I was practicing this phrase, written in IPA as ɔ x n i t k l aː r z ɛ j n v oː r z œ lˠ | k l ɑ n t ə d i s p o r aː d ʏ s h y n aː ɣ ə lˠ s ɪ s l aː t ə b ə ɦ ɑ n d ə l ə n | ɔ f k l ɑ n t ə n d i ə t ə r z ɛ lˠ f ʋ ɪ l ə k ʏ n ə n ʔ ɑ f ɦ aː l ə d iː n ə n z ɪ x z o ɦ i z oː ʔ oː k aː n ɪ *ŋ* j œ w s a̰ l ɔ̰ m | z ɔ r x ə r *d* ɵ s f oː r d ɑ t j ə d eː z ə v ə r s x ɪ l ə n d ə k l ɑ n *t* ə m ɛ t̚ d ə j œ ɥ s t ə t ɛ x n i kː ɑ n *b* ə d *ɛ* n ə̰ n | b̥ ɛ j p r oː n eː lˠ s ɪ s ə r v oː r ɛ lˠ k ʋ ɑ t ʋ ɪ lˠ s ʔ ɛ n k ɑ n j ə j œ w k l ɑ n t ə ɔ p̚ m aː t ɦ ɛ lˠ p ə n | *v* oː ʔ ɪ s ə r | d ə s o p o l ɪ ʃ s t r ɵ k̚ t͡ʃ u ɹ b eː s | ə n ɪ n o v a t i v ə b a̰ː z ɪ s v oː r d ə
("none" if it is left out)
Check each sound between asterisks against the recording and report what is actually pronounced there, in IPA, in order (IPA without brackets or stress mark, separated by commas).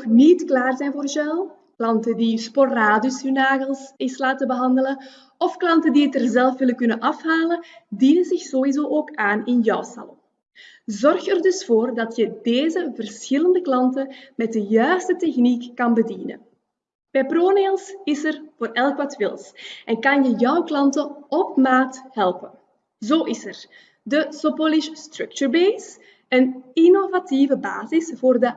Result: n, d, t, b, i, z